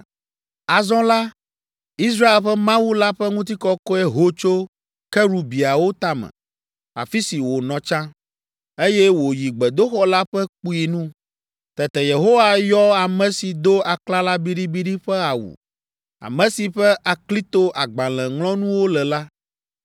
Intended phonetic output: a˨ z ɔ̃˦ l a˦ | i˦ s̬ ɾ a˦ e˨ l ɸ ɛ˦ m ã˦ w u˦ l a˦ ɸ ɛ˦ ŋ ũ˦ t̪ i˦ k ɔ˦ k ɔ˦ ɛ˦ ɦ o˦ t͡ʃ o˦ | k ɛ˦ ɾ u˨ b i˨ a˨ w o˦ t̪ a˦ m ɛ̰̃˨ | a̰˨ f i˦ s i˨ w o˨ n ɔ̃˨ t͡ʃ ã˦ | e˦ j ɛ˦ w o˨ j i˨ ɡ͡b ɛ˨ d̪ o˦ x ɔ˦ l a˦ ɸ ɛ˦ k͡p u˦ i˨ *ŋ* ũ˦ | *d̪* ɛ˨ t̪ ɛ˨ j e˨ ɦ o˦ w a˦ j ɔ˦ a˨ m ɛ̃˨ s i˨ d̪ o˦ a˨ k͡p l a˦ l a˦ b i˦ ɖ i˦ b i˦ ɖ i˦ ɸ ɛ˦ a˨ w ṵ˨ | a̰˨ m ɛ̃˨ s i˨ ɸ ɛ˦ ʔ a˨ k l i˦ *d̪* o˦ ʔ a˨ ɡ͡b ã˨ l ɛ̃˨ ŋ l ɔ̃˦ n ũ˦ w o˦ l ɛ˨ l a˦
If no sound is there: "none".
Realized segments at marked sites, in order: n, t̪, t̪

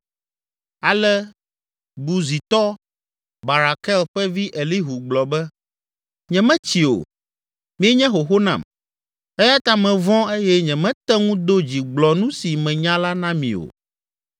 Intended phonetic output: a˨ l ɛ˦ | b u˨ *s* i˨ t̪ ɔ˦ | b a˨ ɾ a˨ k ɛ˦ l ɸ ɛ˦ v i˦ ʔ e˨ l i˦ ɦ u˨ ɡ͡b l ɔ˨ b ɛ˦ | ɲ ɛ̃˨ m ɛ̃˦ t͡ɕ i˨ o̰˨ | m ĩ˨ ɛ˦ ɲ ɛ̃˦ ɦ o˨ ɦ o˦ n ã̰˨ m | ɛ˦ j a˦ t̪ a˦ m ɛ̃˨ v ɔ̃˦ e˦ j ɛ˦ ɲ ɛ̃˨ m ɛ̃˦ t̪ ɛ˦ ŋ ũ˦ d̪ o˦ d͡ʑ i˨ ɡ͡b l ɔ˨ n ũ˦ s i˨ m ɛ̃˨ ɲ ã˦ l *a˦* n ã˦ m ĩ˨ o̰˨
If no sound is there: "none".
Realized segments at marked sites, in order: z, a˦

